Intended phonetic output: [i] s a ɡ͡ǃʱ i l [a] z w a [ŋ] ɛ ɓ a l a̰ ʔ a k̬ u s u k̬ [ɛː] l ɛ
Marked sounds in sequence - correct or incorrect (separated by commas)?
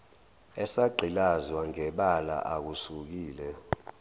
incorrect, correct, correct, incorrect